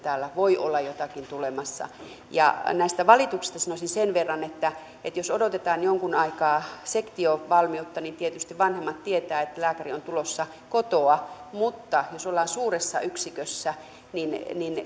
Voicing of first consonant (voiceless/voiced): voiceless